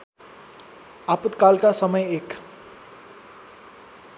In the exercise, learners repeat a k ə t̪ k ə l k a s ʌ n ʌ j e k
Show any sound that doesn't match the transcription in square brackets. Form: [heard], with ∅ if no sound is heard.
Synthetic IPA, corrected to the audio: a [p] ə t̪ k [a] l k a s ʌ [m] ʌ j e k